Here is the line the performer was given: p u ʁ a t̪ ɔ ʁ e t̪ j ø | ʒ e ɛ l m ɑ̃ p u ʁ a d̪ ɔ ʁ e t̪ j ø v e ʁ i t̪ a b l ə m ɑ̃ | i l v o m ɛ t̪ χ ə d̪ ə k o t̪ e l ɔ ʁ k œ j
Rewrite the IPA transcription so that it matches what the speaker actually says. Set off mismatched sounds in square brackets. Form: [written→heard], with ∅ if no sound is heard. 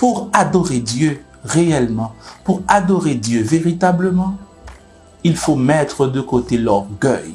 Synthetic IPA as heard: p u ʁ a [t̪→d̪] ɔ ʁ e [t̪→d̪] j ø | [ʒ→ʁ] e ɛ l m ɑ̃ p u ʁ a d̪ ɔ ʁ e [t̪→d̪] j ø v e ʁ i t̪ a b l ə m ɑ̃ | i l [v→f] o m ɛ t̪ χ ə d̪ ə k o t̪ e l ɔ ʁ [k→ɡ] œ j

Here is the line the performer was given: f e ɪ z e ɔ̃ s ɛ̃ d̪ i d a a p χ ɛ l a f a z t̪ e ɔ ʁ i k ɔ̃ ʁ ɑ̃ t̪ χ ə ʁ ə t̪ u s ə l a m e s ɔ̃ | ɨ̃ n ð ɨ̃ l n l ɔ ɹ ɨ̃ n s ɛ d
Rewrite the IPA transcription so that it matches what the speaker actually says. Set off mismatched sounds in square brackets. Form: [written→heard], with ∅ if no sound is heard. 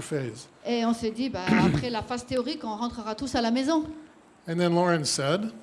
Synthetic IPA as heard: f e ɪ z e ɔ̃ s [ɛ̃→ɛ] d̪ i [d→b] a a p χ ɛ l a f a z t̪ e ɔ ʁ i k ɔ̃ ʁ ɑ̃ t̪ χ ə ʁ [ə→a] t̪ u s [ə→a] l a m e [s→z] ɔ̃ | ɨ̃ n ð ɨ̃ [l→∅] n l ɔ ɹ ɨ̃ n s ɛ d

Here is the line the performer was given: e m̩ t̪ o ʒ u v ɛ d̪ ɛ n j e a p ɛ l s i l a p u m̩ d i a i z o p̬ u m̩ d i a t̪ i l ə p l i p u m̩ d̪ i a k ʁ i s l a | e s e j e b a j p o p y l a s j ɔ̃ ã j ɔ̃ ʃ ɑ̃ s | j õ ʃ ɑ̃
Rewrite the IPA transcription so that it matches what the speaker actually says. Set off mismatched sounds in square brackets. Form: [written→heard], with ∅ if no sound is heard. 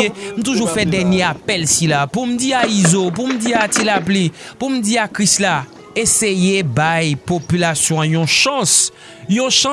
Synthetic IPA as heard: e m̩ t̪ [o→u] ʒ u [v→f] ɛ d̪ ɛ n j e a p ɛ l s i l a p u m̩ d i a i z o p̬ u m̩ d i a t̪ i l [ə→a] p l i p u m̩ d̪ i a k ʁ i s l a | e s e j e b a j p o p y l a s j ɔ̃ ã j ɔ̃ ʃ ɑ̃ s | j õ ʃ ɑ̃

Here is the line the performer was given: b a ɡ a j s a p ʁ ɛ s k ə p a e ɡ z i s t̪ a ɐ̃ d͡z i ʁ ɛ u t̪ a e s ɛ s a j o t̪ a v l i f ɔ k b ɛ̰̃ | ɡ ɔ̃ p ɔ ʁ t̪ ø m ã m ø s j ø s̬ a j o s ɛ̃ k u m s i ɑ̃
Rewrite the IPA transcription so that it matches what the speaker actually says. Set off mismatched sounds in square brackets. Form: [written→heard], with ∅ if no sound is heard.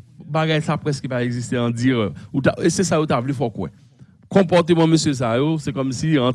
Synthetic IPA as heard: b a ɡ a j s a p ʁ ɛ s k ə p a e ɡ z i s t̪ [a→e] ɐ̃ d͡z i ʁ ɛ u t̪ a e s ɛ s a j o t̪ a v l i f ɔ k [b→w] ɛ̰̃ | [ɡ→k] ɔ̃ p ɔ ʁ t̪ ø m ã m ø s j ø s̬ a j o s [ɛ̃→ɛ] k [u→ɔ] m s i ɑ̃

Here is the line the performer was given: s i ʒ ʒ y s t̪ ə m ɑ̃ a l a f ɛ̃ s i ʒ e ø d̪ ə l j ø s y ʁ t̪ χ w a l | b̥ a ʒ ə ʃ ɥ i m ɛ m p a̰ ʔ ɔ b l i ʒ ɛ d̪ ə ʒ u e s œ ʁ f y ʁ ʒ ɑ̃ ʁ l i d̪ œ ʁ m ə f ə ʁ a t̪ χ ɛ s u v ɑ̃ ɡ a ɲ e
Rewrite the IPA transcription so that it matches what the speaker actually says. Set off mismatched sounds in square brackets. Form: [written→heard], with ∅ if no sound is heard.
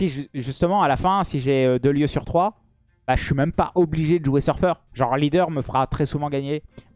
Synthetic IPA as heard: s i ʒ ʒ y s t̪ ə m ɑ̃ a l a f ɛ̃ s i ʒ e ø d̪ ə l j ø s y ʁ t̪ χ w a [l→∅] | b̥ a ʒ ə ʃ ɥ i m ɛ m p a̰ ʔ ɔ b l i ʒ [ɛ→e] d̪ ə ʒ u e s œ ʁ f [y→œ] ʁ ʒ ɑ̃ ʁ l i d̪ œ ʁ m ə f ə ʁ a t̪ χ ɛ s u v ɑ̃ ɡ a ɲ e

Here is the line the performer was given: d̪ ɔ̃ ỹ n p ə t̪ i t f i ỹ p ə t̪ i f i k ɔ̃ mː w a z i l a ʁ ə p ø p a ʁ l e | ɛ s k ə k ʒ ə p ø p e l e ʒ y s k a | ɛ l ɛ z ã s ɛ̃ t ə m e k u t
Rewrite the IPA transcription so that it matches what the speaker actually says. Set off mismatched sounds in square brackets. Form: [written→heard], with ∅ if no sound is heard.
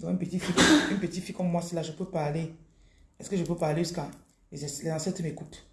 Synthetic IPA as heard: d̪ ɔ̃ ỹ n p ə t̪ i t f i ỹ p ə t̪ i f i k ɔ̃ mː w a [z→s] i l a [ʁ→ʒ] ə p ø p a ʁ l e | ɛ s k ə [k→∅] ʒ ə p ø p [e→a] l e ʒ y s k a | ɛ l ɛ z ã s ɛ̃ t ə m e k u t

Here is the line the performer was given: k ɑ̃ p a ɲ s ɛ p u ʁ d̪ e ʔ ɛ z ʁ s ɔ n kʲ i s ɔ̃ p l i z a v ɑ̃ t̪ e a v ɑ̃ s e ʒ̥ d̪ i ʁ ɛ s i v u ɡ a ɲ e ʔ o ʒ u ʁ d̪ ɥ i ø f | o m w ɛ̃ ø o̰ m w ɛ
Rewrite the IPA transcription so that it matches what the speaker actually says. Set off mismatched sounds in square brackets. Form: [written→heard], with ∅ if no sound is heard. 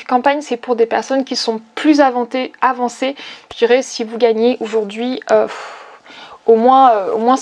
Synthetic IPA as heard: k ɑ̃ p a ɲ s ɛ p u ʁ d̪ e [ʔ→p] ɛ [z→∅] ʁ s ɔ n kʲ i s ɔ̃ p l [i→y] z a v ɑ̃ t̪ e a v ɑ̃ s e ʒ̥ d̪ i ʁ ɛ s i v u ɡ a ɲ e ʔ o ʒ u ʁ d̪ ɥ i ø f | o m w ɛ̃ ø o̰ m w [ɛ→ɛ̃]

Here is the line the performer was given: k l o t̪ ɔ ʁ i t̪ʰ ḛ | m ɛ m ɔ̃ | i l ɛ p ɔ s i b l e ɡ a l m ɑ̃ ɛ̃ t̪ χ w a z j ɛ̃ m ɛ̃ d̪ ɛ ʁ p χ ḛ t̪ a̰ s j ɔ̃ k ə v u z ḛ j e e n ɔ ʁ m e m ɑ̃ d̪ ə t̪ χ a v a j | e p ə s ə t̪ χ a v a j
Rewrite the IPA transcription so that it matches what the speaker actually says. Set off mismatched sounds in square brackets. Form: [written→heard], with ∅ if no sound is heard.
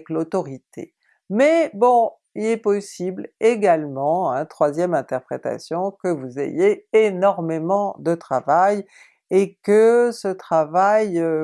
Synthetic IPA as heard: k l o t̪ ɔ ʁ i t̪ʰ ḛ | m ɛ [m→b] ɔ̃ | i l ɛ p ɔ s i b l e ɡ a l m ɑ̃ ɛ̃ t̪ χ w a z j [ɛ̃→ɛ] m ɛ̃ [d̪→t̪] ɛ ʁ p χ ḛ t̪ a̰ s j ɔ̃ k ə v u z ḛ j e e n ɔ ʁ m e m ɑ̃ d̪ ə t̪ χ a v a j | e [p→k] ə s ə t̪ χ a v a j

